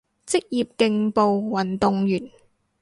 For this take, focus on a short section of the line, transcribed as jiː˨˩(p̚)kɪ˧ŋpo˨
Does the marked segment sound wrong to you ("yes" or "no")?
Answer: no